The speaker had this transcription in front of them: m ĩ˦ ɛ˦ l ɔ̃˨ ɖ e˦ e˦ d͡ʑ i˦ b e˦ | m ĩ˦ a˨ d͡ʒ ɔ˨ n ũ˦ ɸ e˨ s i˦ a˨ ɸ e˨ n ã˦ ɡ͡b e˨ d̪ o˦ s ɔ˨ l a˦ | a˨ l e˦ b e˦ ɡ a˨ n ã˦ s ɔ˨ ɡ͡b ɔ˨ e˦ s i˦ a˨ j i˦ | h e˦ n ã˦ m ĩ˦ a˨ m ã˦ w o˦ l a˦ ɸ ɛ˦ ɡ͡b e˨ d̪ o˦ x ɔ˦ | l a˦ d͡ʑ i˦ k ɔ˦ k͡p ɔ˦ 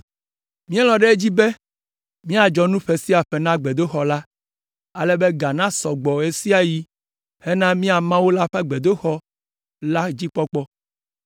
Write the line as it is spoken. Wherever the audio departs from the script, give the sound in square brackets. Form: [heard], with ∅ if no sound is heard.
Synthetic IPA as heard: m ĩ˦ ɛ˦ l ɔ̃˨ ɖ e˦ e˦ d͡ʑ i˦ b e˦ | m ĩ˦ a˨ d͡ʒ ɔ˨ n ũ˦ ɸ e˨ s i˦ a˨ ɸ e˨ n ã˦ ɡ͡b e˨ d̪ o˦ [x] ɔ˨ l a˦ | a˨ l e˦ b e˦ ɡ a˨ n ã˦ s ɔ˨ ɡ͡b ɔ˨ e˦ s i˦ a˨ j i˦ | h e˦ n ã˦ m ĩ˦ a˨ m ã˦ w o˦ l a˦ ɸ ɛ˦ ɡ͡b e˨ d̪ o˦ x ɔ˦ | l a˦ d͡ʑ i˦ [k͡p] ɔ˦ k͡p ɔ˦